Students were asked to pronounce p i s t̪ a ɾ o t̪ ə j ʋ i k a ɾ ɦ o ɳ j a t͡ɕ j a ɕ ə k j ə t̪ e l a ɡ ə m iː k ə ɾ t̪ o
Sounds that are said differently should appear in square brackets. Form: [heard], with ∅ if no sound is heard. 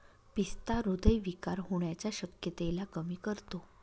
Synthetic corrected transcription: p i s t̪ a ɾ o [d̪] ə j ʋ i k a ɾ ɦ o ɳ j a t͡ɕ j a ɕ ə k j ə t̪ e l a [k] ə m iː k ə ɾ t̪ o